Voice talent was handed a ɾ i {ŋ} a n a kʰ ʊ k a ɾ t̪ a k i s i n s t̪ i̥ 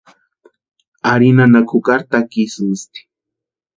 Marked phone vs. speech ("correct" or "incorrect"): incorrect